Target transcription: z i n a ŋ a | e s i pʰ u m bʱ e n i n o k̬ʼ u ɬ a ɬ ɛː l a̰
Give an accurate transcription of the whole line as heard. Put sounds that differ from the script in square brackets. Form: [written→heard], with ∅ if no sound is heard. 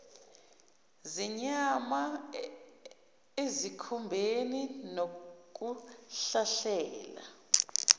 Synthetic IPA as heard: z i [n→ɲ] a [ŋ→m] a | e [s→z] i [pʰ→kʰ] u m bʱ e n i n o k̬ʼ u ɬ a ɬ ɛː l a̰